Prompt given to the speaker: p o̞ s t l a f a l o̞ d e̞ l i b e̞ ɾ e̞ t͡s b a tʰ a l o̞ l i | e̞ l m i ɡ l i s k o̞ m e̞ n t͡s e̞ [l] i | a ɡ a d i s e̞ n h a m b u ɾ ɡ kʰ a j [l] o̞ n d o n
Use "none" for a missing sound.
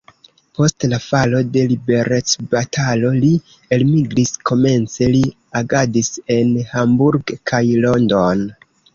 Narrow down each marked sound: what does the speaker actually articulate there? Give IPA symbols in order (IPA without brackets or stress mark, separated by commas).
l, l